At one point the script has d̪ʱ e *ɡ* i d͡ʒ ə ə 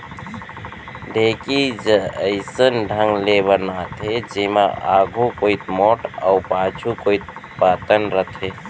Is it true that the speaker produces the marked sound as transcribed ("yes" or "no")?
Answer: no